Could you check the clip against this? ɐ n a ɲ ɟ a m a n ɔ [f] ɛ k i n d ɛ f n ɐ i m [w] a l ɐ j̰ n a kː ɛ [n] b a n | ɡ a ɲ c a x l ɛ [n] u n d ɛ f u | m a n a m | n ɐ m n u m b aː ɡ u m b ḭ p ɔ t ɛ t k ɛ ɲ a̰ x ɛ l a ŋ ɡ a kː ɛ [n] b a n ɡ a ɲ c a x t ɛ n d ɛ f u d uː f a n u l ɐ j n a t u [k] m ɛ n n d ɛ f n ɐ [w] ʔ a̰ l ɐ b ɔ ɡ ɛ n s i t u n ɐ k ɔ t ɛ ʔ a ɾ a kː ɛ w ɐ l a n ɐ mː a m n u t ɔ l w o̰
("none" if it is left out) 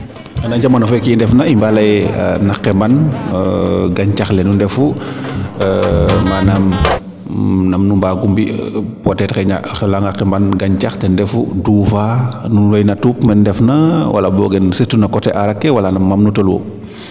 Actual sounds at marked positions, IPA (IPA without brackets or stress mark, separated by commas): f, b, m, n, m, p, w